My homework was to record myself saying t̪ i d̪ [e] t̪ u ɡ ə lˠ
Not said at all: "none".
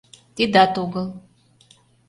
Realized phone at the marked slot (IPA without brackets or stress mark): a